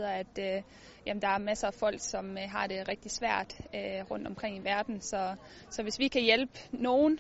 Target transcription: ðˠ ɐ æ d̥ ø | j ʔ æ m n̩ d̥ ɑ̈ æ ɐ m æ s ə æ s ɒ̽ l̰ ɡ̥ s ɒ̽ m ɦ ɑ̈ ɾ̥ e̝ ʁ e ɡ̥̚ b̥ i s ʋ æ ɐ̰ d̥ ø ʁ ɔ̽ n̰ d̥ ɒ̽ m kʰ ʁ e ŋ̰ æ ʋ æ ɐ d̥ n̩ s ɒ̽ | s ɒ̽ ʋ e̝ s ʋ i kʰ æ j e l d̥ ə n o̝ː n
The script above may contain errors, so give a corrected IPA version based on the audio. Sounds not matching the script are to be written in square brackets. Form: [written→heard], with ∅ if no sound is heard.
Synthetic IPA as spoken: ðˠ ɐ æ d̥ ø | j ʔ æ m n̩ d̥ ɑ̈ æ ɐ m æ s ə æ [s→f] ɒ̽ l̰ ɡ̥ s ɒ̽ m ɦ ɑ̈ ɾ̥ e̝ ʁ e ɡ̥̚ [b̥→d̥] i s ʋ æ ɐ̰ d̥ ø ʁ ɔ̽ n̰ d̥ ɒ̽ m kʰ ʁ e ŋ̰ [æ→i] ʋ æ ɐ d̥ n̩ s ɒ̽ | s ɒ̽ ʋ e̝ s ʋ i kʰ æ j e l [d̥→b̥] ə n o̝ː n